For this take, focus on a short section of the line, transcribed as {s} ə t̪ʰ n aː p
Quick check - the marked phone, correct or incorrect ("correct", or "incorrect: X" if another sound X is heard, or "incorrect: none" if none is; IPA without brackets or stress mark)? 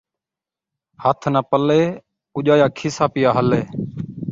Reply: incorrect: h